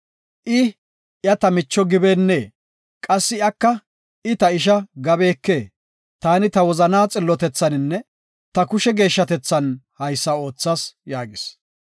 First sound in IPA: ʔ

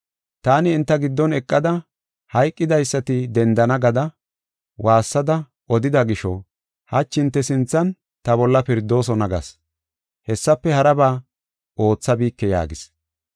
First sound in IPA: t̪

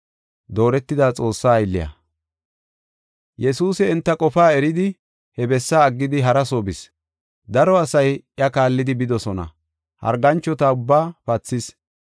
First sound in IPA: d̪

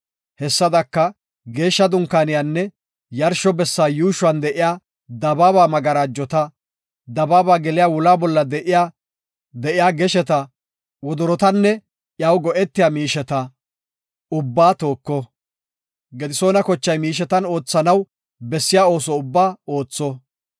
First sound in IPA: h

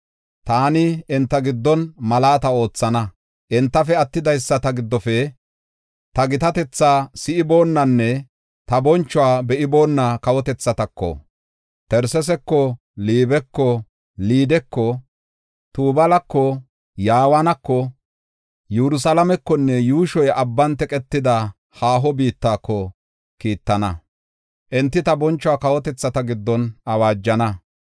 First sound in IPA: t̪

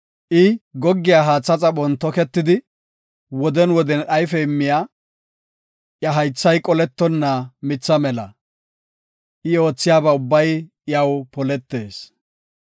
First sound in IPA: ʔ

